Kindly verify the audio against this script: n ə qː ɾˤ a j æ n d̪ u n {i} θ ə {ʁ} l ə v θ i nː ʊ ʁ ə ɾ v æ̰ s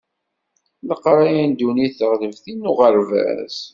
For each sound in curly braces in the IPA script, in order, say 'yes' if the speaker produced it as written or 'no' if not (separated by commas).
yes, yes